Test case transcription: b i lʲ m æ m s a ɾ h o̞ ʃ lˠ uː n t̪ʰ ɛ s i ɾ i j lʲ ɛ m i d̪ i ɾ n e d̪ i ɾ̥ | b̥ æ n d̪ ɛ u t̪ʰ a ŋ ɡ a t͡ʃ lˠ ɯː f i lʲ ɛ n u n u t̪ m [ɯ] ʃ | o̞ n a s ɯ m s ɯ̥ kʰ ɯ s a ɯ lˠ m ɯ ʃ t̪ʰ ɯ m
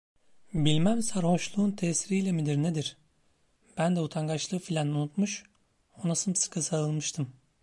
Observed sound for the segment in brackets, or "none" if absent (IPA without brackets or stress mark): u